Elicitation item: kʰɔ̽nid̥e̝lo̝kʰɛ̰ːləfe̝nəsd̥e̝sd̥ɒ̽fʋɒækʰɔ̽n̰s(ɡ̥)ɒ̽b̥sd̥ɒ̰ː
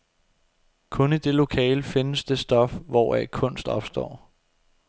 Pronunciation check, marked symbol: incorrect: d̥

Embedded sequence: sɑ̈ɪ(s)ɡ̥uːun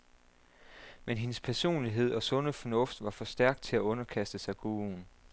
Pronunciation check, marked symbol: incorrect: none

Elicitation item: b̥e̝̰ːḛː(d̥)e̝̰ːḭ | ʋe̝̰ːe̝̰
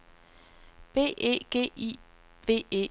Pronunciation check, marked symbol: incorrect: ɡ̥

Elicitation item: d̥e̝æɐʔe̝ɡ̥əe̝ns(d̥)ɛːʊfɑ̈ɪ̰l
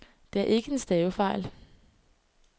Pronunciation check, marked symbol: correct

